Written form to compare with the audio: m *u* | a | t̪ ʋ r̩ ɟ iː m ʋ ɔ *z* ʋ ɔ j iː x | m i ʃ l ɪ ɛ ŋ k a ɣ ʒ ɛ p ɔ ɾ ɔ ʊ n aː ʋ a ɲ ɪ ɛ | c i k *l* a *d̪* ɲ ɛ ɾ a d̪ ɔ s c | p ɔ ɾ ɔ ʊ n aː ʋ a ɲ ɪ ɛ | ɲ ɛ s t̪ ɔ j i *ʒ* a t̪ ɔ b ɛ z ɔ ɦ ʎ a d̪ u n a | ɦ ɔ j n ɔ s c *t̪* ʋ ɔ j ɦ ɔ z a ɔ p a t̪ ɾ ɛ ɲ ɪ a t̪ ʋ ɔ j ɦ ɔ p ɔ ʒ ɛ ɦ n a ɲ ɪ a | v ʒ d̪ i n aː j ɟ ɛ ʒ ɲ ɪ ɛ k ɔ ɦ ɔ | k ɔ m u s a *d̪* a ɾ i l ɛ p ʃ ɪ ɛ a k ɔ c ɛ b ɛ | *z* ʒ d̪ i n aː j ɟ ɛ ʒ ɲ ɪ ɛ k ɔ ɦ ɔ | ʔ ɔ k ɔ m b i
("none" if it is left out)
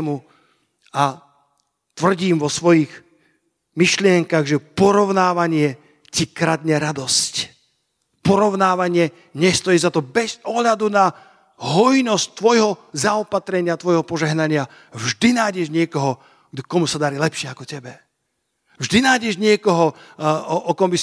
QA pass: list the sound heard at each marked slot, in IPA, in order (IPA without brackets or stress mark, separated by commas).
u, s, ɾ, d̪, z, t̪, d̪, v